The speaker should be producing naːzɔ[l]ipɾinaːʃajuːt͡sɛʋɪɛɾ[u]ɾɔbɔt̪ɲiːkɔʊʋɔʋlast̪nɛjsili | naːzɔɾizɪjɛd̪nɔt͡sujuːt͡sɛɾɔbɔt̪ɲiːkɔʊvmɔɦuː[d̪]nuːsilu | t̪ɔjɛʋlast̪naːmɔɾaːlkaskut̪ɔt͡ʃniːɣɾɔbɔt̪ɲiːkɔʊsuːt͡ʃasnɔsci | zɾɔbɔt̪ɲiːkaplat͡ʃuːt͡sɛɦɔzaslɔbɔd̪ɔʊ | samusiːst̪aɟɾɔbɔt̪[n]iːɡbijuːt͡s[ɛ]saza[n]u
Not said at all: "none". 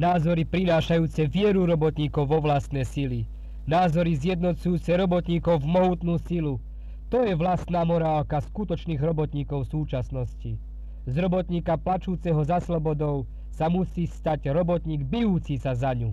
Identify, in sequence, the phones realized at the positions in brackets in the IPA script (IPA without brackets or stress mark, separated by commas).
ɾ, u, t̪, ɲ, i, ɲ